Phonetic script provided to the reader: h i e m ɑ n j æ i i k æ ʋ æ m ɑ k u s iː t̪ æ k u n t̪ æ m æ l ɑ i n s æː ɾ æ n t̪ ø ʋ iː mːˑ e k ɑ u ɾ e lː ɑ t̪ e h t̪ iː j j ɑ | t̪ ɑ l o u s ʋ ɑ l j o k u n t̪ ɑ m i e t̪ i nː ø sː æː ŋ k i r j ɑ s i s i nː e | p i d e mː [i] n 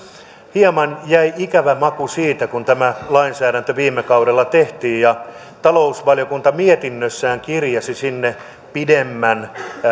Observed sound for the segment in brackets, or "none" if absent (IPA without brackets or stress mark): æ